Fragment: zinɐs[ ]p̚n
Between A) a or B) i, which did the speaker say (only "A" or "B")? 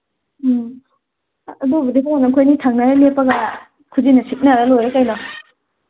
B